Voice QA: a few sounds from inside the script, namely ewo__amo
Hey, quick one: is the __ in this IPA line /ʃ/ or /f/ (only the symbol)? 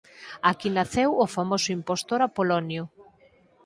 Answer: f